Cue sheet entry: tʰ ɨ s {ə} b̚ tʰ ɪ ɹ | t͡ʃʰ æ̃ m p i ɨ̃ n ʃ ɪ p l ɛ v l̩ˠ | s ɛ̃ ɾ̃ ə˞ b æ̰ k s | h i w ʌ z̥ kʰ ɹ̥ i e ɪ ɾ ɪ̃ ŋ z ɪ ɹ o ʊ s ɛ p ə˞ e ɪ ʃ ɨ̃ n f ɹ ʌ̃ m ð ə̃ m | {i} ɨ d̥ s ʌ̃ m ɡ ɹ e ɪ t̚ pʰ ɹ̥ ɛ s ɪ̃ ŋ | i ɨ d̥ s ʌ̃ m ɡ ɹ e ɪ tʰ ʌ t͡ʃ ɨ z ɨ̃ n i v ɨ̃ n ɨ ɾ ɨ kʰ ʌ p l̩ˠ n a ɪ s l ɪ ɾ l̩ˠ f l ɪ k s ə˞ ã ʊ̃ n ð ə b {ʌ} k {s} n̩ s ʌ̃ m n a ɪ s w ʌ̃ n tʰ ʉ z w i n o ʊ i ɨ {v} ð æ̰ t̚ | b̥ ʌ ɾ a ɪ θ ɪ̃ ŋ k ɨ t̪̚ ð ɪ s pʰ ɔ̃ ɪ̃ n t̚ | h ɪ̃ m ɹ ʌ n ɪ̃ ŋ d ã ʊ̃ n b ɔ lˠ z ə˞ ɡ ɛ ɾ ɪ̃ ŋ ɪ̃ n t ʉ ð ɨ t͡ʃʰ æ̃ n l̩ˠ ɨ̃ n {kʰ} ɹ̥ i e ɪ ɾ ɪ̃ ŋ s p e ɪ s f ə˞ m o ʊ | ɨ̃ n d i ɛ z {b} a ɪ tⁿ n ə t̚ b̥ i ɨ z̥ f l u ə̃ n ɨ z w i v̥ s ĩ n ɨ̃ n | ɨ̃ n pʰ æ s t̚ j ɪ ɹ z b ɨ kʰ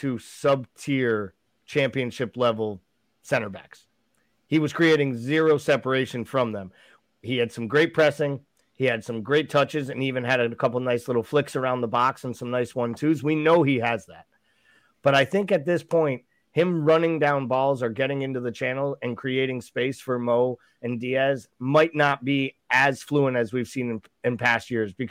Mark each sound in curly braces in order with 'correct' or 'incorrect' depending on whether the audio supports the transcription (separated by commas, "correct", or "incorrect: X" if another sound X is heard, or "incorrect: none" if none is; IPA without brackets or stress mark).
incorrect: ʌ, correct, incorrect: ɑ, correct, incorrect: z, correct, incorrect: m